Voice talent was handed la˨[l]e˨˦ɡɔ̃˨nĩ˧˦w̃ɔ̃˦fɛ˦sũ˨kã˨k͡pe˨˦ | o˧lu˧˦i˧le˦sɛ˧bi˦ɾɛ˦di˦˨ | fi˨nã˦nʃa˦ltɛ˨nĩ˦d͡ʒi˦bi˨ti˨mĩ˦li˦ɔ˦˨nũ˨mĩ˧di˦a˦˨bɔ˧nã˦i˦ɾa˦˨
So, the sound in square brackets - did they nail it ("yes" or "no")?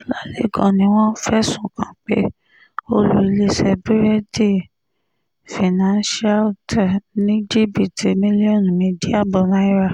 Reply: yes